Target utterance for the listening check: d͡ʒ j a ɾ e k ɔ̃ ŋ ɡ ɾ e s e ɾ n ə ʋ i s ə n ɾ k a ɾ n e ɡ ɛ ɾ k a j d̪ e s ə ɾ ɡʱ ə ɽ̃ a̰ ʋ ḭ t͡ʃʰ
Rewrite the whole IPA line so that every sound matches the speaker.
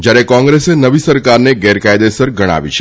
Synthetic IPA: d͡ʒ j a ɾ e k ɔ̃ ŋ ɡ ɾ e s e n ə ʋ i s ə ɾ k a ɾ n e ɡ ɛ ɾ k a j d̪ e s ə ɾ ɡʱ ə ɽ̃ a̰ ʋ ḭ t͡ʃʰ